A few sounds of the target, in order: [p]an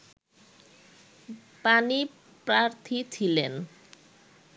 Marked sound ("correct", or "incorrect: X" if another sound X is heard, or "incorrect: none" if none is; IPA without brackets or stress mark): correct